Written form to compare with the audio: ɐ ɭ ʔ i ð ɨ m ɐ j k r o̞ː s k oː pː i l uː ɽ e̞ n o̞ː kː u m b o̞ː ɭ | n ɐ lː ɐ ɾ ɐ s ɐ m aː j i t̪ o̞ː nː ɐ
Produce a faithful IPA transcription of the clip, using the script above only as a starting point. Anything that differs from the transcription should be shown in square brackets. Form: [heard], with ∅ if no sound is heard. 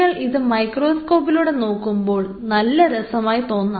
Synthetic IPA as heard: ɐ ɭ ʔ i ð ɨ m ɐ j k r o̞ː s k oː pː i l uː ɽ e̞ n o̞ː kː u m b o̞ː ɭ | n ɐ lː ɐ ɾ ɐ s ɐ m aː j i t̪ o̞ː nː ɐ